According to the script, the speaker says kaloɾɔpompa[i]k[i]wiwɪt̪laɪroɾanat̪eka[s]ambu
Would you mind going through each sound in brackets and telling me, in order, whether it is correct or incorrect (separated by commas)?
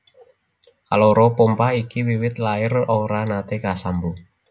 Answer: correct, correct, correct